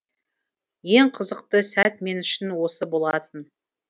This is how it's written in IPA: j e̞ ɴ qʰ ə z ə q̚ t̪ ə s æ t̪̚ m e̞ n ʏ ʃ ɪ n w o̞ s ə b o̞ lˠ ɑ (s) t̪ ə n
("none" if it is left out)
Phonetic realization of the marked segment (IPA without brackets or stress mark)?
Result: none